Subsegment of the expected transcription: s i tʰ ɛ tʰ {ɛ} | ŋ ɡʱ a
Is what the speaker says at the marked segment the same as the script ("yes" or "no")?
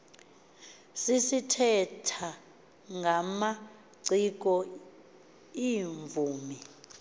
no